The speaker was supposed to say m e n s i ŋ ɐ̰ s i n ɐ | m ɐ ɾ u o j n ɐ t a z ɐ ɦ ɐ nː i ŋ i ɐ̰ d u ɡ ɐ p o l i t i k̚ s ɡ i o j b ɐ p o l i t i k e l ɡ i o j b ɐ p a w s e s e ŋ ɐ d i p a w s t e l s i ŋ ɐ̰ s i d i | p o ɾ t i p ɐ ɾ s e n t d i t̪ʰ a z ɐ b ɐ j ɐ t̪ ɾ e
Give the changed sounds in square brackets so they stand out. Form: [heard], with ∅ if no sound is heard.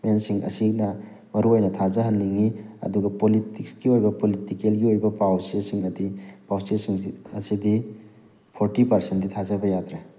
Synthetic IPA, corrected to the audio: m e n s i ŋ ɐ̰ s i n ɐ | m ɐ ɾ u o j n ɐ [tʰ] a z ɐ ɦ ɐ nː i ŋ i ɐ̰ d u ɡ ɐ p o l i t i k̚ s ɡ i o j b ɐ p o l i t i k e l ɡ i o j b ɐ p a w s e s [i] ŋ ɐ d i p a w s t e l s i ŋ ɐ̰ s i d i | [pʰ] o ɾ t i p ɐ ɾ s e n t d i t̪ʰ a z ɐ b ɐ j [a] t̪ ɾ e